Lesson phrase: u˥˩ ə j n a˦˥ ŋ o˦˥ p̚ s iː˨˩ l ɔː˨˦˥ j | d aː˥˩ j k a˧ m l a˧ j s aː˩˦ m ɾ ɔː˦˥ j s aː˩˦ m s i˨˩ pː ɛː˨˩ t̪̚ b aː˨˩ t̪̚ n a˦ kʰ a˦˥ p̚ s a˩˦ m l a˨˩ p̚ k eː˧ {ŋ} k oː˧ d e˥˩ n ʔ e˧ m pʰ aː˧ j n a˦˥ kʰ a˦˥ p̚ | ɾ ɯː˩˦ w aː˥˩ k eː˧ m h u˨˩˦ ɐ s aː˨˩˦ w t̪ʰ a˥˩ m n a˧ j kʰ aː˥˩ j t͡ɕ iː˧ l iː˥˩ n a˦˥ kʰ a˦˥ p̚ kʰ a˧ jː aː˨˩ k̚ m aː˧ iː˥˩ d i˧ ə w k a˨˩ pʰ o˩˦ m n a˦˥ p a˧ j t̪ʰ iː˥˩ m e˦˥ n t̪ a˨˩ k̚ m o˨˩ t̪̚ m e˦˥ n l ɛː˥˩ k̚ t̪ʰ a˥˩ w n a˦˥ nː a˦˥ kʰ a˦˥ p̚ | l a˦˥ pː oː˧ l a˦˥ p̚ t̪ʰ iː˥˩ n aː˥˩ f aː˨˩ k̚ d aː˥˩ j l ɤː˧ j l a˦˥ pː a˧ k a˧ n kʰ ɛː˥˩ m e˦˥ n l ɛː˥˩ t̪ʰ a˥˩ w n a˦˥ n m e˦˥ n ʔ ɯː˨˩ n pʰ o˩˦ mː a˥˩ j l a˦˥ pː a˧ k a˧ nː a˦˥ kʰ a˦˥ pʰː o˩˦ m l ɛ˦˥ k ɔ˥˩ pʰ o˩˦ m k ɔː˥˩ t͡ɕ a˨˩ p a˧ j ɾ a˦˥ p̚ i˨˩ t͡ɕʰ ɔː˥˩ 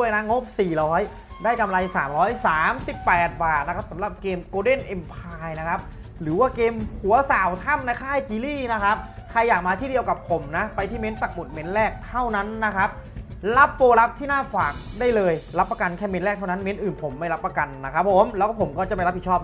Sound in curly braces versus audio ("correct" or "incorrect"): incorrect